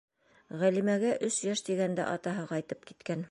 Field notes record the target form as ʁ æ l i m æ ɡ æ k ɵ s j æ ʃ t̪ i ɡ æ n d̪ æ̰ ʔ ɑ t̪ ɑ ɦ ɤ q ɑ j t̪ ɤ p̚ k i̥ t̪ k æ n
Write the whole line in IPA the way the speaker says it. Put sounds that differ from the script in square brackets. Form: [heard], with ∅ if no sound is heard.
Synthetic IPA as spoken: ʁ æ l i m æ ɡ æ [ʔ] ɵ s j æ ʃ t̪ i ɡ æ n d̪ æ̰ ʔ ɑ t̪ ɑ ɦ ɤ q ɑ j t̪ ɤ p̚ k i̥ t̪ k æ n